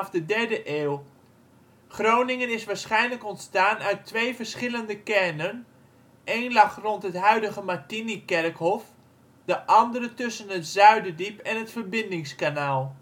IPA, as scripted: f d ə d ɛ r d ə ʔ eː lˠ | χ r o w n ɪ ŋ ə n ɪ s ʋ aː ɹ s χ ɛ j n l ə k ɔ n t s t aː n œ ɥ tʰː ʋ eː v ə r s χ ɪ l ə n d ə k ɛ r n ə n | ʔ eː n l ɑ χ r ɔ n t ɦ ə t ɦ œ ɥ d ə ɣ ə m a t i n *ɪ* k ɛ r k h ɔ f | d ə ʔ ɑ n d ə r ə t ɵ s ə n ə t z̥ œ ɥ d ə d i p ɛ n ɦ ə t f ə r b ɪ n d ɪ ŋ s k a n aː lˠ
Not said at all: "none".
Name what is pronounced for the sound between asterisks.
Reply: i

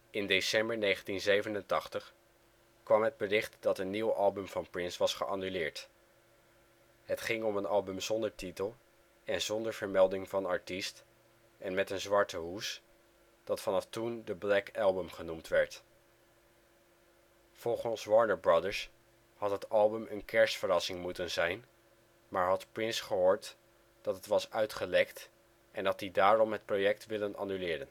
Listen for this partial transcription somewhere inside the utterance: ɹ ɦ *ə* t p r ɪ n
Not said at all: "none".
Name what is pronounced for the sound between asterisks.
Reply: ɑ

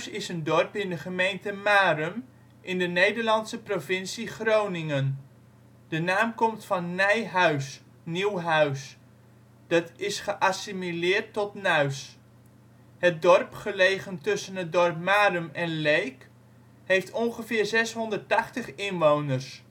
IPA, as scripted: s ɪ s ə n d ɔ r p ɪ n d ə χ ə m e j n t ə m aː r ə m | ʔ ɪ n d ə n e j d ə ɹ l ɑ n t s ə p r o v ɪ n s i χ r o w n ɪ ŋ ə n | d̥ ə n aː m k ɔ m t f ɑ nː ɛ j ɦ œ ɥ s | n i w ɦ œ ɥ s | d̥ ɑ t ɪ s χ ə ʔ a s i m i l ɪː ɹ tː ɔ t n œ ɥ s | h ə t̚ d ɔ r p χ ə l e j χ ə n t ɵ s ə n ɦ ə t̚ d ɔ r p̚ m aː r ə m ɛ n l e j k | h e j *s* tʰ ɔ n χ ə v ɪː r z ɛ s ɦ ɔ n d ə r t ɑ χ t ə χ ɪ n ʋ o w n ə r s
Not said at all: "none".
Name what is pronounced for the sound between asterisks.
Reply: f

